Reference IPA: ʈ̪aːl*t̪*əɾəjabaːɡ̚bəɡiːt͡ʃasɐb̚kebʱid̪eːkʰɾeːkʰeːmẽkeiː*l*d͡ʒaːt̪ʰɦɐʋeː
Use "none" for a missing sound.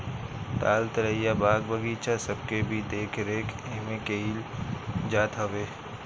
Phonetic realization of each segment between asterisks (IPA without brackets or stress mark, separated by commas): t̪, l